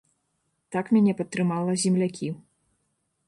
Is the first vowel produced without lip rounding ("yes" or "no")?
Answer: yes